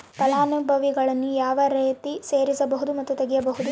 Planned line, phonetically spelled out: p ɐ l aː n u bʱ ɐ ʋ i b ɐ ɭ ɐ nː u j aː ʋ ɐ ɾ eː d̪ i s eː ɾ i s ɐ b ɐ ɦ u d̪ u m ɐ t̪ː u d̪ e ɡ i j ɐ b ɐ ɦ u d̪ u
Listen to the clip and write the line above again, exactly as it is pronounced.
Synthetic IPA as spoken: p ɐ l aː n u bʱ ɐ ʋ i ɡ ɐ ɭ ɐ nː u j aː ʋ ɐ ɾ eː t̪ i s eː ɾ i s ɐ b ɐ ɦ u d̪ u m ɐ t̪ː u t̪ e ɡ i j ɐ b ɐ ɦ u d̪ u